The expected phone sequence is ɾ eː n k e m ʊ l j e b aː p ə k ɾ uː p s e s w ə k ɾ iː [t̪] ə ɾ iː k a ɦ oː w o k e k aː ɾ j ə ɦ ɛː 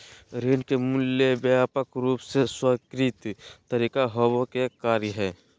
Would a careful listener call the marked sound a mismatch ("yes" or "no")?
no